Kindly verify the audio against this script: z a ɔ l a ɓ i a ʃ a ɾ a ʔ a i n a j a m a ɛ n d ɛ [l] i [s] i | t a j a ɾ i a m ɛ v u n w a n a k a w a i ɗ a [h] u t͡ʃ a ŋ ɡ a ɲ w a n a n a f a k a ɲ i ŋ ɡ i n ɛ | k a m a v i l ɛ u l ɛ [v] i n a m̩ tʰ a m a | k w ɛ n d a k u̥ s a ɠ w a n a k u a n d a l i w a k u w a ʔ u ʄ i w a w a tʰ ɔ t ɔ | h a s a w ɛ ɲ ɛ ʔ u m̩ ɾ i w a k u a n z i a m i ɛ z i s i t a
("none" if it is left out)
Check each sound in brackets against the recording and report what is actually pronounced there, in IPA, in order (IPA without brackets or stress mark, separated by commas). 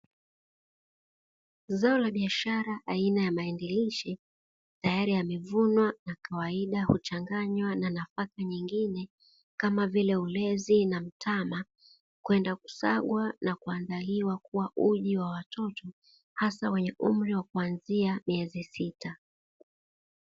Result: l, ʃ, h, z